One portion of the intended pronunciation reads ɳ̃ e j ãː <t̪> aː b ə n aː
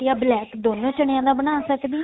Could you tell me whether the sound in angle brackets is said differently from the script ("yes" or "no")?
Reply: yes